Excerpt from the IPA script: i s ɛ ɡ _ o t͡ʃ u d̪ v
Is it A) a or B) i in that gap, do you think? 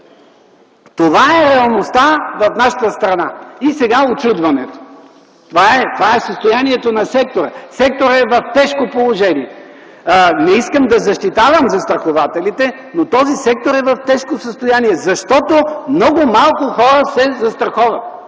A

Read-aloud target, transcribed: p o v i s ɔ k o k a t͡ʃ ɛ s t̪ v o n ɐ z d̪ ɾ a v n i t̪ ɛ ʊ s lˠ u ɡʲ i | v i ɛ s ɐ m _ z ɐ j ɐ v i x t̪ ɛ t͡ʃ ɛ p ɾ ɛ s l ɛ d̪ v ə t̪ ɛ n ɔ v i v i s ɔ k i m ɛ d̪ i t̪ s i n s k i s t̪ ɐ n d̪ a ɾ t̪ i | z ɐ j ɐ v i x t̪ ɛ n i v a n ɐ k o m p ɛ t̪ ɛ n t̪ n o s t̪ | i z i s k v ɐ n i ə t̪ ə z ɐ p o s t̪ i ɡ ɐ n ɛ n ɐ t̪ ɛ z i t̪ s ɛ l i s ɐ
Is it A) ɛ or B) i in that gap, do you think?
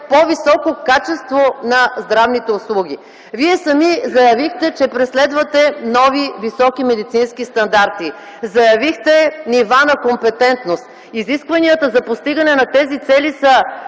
B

